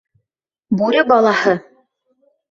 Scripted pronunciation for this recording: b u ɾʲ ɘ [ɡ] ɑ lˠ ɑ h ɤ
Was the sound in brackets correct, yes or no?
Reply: no